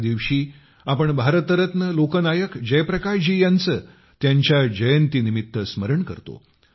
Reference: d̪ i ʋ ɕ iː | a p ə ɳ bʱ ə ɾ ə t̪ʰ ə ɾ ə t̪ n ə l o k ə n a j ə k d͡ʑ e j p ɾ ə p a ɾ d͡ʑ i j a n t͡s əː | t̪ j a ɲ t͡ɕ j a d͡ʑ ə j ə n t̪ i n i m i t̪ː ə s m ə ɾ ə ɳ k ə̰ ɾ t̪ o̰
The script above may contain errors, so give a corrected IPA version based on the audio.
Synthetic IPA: d̪ i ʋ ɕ iː | a p ə ɳ bʱ a ɾ ə t̪ ə ɾ ə t̪ n ə l o k ə n a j ə k d͡ʑ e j p ɾ ə k a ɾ d͡ʑ i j a n t͡s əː | t̪ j a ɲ t͡ɕ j a d͡ʑ ə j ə n t̪ i n i m i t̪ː ə s m ə ɾ ə ɳ k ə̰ ɾ t̪ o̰